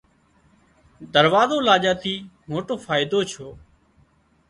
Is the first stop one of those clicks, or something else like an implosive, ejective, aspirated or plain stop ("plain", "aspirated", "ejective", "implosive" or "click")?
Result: plain